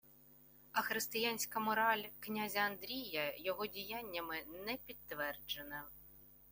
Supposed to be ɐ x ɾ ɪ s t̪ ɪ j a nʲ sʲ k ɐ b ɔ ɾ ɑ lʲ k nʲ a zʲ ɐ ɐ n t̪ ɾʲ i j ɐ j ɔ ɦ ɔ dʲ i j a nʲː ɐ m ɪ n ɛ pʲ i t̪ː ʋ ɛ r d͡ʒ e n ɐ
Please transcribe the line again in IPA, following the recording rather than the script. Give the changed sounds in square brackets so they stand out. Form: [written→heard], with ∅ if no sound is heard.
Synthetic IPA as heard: ɐ x ɾ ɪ s t̪ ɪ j a nʲ sʲ k ɐ [b→m] ɔ ɾ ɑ lʲ k nʲ a zʲ ɐ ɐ n [t̪→d̪] ɾʲ i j ɐ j ɔ ɦ ɔ dʲ i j a nʲː ɐ m ɪ n ɛ pʲ i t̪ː ʋ ɛ r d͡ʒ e n ɐ